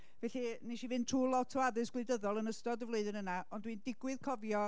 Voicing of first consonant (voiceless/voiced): voiced